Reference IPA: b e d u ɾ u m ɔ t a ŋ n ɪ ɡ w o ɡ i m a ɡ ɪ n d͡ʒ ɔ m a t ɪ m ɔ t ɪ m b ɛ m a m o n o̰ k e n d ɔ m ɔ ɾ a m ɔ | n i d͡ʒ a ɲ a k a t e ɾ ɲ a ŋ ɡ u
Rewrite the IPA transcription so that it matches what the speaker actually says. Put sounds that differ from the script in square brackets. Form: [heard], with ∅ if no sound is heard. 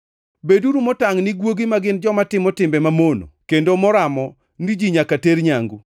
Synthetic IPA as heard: b e d u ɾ u m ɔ t a ŋ n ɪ ɡ w o ɡ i m a ɡ ɪ n d͡ʒ ɔ m a t ɪ m ɔ t ɪ m b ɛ m a m o n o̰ k e n d [o] m ɔ ɾ a m ɔ | n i d͡ʒ [i] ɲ a k a t e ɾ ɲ a ŋ ɡ u

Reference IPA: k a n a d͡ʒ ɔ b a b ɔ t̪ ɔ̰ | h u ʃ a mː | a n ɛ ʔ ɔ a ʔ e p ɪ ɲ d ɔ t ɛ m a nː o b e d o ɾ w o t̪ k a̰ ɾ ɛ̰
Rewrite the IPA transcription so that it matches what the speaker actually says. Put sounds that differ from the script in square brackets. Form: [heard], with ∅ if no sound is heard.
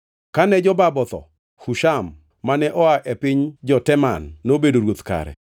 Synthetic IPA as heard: k a n [ɛ] d͡ʒ ɔ b a b ɔ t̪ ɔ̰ | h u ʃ a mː | a n ɛ ʔ ɔ a ʔ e p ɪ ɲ [d͡ʒ] ɔ t ɛ m a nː o b e d o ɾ w o t̪ k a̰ ɾ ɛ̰

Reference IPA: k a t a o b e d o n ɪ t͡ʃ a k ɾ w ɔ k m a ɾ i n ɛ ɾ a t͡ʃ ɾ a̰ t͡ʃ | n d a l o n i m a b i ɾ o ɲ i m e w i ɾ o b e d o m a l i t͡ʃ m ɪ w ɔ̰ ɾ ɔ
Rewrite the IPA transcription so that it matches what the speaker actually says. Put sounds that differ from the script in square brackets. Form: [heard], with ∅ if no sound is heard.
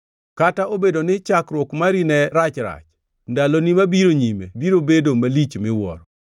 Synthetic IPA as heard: k a t a o b e d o n ɪ t͡ʃ a k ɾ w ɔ k m a ɾ i n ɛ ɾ a t͡ʃ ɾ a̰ t͡ʃ | n d a l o n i m a b i ɾ o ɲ i m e [b] i ɾ o b e d o m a l i t͡ʃ m ɪ w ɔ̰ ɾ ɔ

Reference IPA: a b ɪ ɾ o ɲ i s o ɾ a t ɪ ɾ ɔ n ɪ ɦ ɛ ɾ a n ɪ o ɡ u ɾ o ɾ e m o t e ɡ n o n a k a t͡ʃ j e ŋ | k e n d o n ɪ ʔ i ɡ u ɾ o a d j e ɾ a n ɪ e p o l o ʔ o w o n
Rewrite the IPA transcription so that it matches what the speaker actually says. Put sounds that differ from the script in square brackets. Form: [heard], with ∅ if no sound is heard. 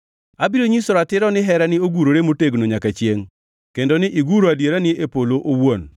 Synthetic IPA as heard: a b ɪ ɾ o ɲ i s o ɾ a t ɪ ɾ ɔ n ɪ ɦ ɛ ɾ a n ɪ o ɡ u ɾ o ɾ e m o t e ɡ n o [ɲ] a k a t͡ʃ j e ŋ | k e n d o n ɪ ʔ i ɡ u ɾ o a d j e ɾ a n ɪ e p o l o ʔ o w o n

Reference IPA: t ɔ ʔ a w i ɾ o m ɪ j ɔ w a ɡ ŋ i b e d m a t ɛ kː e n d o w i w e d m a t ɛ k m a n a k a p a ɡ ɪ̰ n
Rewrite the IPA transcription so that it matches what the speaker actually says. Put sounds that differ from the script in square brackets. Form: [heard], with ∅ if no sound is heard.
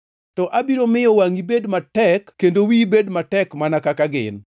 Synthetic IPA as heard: t ɔ ʔ a [b] i ɾ o m ɪ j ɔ w a [∅] ŋ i b e d m a t ɛ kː e n d o w i [b] e d m a t ɛ k m a n a k a [k] a ɡ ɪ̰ n

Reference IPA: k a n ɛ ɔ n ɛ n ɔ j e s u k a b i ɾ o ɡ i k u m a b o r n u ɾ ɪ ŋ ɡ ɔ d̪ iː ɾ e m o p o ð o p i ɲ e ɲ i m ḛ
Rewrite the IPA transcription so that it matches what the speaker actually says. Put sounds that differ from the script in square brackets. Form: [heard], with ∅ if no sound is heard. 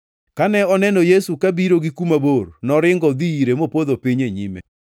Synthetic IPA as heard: k a n ɛ ɔ n ɛ n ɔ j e s u k a b i ɾ o ɡ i k u m a b o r n [ɔ] ɾ ɪ ŋ ɡ ɔ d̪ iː ɾ e m o p o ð o p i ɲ e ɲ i m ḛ

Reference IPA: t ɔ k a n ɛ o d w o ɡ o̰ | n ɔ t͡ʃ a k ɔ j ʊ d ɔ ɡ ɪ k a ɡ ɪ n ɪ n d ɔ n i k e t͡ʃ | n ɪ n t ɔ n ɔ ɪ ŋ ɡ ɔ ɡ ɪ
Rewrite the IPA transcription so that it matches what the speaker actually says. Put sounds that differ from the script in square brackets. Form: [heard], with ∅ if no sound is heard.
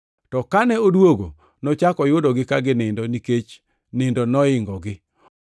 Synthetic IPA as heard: t ɔ k a n ɛ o d w o ɡ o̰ | n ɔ t͡ʃ a k ɔ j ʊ d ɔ ɡ ɪ k a ɡ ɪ n ɪ n d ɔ n i k e t͡ʃ | n ɪ n [d] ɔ n ɔ ɪ ŋ ɡ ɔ ɡ ɪ

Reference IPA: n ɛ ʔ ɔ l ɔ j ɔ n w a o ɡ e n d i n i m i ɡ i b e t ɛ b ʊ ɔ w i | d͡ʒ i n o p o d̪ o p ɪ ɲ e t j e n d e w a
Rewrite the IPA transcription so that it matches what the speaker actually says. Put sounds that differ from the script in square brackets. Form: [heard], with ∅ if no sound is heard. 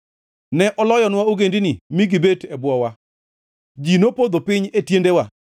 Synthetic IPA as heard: n ɛ ʔ ɔ l ɔ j ɔ n w a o ɡ e n d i n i m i ɡ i b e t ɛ b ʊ ɔ w [a] | d͡ʒ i n o p o d̪ o p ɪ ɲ e t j e n d e w a

